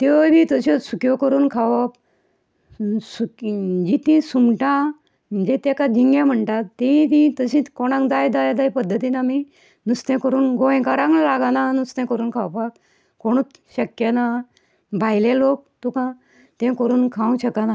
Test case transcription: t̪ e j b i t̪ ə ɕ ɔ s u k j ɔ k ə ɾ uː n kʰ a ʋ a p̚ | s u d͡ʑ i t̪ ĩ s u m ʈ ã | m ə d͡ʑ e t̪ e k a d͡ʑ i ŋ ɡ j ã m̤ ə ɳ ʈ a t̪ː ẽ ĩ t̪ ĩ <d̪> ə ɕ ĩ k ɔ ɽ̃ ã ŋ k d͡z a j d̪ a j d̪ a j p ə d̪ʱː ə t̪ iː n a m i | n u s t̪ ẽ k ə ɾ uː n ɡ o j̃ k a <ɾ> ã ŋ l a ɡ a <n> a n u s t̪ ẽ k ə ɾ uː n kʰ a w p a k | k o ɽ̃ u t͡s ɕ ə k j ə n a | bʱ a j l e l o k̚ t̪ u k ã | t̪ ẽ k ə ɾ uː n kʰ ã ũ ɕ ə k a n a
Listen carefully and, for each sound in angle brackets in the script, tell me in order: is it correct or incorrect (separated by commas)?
incorrect, correct, correct